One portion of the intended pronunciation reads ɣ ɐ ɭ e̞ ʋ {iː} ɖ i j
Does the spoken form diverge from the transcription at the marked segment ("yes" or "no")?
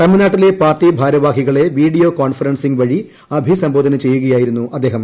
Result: no